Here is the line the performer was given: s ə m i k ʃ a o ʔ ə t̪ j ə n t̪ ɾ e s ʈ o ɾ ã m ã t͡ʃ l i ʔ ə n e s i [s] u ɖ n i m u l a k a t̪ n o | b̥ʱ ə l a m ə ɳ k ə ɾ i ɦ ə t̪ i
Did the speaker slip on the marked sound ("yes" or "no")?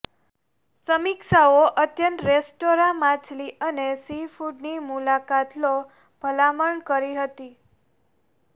yes